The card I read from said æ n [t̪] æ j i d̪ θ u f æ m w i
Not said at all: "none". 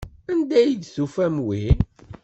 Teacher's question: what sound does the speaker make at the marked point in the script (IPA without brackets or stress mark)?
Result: d̪